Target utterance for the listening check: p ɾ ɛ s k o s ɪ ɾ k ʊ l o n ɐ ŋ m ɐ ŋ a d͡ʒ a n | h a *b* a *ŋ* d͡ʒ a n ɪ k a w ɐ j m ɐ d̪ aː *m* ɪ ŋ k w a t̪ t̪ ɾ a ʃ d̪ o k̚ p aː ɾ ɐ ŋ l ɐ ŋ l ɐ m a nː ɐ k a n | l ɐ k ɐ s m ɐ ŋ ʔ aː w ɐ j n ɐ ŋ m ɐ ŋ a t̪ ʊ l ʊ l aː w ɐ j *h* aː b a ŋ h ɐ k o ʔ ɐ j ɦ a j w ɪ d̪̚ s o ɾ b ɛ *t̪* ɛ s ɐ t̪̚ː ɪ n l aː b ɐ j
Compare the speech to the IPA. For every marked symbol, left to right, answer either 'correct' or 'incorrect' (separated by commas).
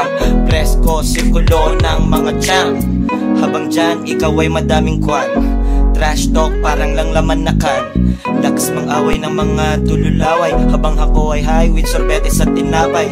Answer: correct, correct, correct, correct, correct